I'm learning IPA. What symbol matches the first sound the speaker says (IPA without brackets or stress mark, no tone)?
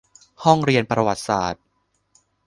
h